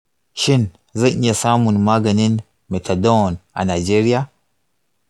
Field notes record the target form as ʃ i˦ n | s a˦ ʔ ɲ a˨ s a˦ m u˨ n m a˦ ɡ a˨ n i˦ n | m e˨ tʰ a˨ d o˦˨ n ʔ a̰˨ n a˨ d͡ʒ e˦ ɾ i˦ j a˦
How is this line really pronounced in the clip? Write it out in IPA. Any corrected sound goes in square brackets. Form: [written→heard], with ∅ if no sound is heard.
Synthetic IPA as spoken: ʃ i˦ n | [s→z] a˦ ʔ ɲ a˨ s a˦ m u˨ n m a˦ ɡ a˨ n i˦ n | m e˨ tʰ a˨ d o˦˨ n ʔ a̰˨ n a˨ d͡ʒ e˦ ɾ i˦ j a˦